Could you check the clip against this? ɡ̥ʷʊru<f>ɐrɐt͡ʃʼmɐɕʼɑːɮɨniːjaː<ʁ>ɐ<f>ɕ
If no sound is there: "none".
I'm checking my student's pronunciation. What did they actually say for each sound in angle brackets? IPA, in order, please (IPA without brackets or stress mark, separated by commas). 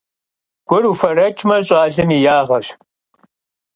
f, ʁ, none